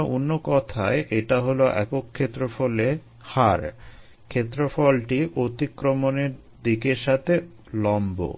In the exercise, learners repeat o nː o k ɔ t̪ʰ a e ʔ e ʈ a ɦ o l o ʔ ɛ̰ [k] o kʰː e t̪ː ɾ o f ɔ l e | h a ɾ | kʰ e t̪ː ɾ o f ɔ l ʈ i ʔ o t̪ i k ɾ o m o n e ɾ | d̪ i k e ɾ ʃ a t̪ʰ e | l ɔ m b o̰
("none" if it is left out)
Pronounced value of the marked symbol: k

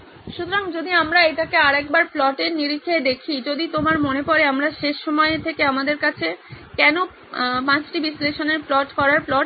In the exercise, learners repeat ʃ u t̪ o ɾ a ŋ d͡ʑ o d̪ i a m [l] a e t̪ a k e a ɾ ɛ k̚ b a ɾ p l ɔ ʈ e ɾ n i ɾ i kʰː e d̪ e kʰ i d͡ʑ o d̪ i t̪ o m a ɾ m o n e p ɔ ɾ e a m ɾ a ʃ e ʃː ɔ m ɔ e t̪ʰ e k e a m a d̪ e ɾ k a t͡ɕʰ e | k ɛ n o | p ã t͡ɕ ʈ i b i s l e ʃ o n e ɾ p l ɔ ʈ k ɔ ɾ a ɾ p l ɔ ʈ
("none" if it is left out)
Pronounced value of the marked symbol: ɾ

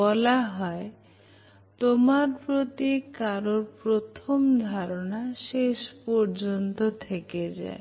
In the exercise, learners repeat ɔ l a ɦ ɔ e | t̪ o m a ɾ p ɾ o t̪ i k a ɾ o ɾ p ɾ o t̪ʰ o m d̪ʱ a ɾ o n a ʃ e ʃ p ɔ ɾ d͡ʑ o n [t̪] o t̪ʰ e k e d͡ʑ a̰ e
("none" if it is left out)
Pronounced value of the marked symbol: t̪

